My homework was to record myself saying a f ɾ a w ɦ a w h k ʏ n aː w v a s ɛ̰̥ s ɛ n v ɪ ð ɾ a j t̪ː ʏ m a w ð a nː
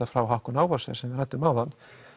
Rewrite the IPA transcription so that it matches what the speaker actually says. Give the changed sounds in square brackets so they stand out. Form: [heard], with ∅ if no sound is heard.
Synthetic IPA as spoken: a f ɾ a w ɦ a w h k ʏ n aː w v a s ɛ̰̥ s ɛ [m] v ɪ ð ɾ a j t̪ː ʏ m a w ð a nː